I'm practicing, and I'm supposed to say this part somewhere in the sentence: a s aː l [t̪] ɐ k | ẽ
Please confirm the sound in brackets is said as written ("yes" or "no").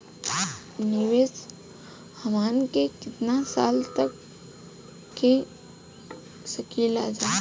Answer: yes